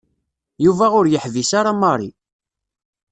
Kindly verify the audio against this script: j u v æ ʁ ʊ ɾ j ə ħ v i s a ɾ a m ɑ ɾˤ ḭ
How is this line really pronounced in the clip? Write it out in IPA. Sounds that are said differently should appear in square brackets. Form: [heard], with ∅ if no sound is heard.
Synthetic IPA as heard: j u v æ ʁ ʊ ɾ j ə ħ v i s a ɾ a m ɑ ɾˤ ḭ

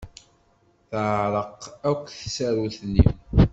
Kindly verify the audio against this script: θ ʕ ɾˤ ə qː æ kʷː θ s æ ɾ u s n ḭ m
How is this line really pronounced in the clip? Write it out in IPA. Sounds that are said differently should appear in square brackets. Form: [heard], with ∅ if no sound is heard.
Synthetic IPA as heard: θ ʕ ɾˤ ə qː æ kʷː θ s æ ɾ u [θ] n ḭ m

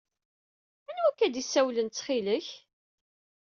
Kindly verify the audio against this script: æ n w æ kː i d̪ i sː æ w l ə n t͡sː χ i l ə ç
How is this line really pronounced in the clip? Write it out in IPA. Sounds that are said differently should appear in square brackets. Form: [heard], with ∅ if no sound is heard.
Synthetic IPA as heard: æ n w æ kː [æ] d̪ i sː æ w l ə n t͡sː χ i l ə ç

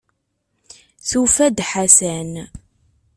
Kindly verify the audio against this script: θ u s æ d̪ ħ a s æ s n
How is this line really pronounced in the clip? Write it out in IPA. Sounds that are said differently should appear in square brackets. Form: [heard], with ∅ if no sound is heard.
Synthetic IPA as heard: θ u [f] æ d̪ ħ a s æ [∅] n

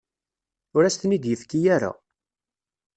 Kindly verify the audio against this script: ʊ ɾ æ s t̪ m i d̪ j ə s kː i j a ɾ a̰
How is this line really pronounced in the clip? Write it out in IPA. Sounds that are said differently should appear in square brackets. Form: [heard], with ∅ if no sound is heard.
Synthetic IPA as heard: ʊ ɾ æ s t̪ [n] i d̪ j ə [f] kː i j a ɾ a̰

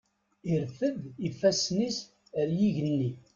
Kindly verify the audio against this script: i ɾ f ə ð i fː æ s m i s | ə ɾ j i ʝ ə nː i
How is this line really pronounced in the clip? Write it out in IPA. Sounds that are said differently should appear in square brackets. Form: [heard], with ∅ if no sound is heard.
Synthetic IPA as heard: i ɾ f ə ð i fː æ s [n] i s | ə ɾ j i ʝ ə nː i

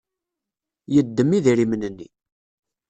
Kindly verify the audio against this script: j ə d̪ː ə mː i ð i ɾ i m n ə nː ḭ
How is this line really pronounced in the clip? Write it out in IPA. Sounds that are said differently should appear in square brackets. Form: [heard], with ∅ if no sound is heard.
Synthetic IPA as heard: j ə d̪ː ə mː i ð i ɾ i m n ə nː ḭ

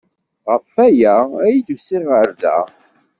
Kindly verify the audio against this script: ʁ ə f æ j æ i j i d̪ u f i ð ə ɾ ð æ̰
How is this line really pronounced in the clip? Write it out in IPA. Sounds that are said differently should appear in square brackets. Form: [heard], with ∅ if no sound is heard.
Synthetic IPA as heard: ʁ ə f æ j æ [æ] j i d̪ u [s] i [ʁ] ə ɾ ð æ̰

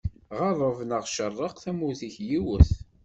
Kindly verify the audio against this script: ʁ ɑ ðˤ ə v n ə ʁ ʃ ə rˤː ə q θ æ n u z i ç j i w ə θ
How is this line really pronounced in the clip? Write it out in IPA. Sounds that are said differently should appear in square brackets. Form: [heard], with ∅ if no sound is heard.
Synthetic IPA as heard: ʁ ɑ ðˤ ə v n ə ʁ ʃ ə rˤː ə q θ æ [m] u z i ç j i w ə θ

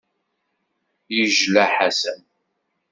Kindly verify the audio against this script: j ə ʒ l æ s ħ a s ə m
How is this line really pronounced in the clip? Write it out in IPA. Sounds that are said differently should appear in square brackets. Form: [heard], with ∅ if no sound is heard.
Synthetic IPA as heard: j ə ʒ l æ [∅] ħ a s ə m

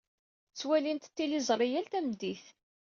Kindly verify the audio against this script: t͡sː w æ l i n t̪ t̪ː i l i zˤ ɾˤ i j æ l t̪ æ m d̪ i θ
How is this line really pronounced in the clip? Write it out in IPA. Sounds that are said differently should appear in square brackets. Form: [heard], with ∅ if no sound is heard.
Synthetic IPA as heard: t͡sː w æ l i n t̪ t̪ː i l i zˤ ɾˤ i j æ l t̪ æ m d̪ i θ

